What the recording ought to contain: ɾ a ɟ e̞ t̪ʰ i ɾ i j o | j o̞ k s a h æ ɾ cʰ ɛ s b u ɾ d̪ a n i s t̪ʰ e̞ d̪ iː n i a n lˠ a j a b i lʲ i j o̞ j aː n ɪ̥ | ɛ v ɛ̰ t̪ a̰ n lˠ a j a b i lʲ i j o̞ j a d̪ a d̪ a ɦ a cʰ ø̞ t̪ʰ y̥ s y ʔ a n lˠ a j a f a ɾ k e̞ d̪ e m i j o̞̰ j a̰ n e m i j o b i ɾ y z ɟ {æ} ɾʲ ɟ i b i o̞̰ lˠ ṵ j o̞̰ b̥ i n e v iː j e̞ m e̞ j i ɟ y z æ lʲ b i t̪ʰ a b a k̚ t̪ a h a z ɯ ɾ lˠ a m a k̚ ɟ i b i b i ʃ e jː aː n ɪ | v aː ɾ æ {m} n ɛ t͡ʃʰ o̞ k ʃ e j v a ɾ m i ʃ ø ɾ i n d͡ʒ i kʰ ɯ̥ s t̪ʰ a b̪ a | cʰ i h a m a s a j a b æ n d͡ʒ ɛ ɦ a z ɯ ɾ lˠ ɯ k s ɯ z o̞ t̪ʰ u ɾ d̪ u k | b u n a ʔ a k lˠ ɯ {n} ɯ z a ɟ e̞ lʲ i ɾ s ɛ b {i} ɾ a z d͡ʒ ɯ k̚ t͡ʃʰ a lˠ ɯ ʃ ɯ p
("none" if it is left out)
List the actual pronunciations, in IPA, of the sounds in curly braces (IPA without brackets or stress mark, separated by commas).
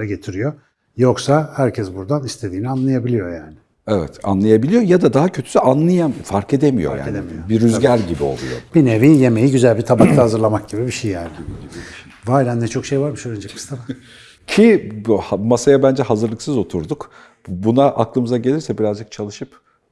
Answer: æ, n, m, i